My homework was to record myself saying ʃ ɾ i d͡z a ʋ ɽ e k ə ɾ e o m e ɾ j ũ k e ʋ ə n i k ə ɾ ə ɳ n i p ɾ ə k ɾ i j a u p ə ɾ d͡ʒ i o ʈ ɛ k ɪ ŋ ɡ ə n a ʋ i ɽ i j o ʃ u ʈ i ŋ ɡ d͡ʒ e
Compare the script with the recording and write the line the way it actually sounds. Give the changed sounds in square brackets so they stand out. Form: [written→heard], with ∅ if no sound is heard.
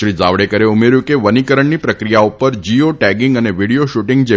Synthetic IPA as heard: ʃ ɾ i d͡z a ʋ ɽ e k ə ɾ e [o→u] m e ɾ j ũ k e ʋ ə n i k ə ɾ ə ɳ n i p ɾ ə k ɾ i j a u p ə ɾ d͡ʒ i o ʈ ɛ [k→ɡ] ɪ ŋ ɡ ə n [a→e] ʋ i ɽ i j o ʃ u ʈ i ŋ ɡ d͡ʒ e